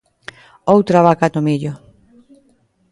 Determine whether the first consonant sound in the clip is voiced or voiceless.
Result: voiced